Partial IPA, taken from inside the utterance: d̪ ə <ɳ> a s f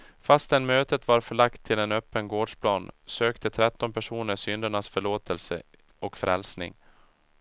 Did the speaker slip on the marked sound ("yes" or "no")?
no